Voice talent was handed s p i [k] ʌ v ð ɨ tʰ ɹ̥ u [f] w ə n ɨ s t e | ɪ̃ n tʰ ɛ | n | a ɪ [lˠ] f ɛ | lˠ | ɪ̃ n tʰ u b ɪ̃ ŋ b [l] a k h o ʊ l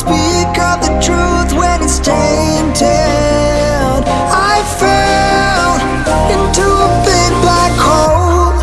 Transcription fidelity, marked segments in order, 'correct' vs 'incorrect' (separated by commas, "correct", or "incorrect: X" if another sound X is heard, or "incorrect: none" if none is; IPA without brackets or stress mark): correct, incorrect: θ, incorrect: none, correct